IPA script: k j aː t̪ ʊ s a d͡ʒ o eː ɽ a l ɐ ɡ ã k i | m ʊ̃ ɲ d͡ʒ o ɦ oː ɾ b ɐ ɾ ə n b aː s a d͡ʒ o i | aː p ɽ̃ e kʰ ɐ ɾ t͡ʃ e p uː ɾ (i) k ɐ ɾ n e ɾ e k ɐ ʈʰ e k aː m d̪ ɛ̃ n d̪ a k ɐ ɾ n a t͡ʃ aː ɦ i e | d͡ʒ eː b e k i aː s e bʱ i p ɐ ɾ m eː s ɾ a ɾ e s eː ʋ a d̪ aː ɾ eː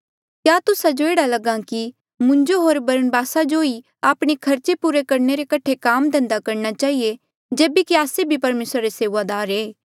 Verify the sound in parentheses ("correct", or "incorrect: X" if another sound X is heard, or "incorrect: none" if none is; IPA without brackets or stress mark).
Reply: incorrect: e